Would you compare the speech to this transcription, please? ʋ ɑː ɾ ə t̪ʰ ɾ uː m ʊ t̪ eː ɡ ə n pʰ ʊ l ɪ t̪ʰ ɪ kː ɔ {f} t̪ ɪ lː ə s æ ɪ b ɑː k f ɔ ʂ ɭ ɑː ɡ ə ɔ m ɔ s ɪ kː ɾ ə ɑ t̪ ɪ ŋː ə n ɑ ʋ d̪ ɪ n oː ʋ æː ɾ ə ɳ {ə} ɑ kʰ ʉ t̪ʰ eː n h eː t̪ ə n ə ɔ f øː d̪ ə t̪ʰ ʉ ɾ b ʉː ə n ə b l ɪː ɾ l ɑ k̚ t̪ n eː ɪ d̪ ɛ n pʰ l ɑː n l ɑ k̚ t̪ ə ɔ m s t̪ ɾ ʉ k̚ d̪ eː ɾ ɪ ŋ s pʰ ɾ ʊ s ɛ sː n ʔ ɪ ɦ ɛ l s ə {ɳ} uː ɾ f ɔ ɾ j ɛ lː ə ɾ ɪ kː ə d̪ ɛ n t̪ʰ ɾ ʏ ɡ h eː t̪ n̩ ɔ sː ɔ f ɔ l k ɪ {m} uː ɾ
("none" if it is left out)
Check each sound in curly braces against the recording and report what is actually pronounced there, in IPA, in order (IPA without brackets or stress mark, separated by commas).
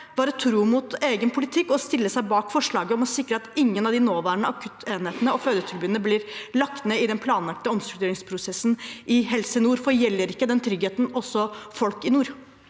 s, ə, n, n